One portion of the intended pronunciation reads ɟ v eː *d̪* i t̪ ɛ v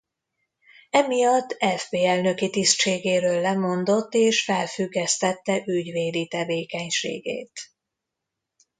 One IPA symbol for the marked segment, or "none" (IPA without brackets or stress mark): d̪